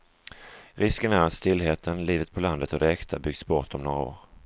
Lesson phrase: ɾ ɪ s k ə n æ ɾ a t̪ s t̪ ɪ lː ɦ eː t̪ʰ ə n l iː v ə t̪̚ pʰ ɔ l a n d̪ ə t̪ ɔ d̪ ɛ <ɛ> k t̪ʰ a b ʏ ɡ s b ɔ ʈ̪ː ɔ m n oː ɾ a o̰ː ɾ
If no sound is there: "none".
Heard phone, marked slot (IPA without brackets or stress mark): ɛ